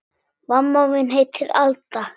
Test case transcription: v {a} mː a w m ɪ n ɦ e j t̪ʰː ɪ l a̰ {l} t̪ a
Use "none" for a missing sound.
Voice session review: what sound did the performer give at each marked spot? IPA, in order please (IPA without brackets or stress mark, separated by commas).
a, l